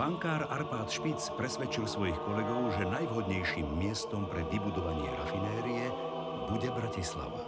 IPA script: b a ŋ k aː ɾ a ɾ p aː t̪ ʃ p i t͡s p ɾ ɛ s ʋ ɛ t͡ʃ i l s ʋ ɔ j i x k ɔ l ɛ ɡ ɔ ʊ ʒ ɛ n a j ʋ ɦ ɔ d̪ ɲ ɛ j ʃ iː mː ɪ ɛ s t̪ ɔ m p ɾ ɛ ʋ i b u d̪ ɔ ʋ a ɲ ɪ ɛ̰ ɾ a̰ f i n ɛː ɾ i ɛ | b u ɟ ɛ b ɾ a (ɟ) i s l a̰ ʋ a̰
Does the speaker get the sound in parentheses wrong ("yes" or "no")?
yes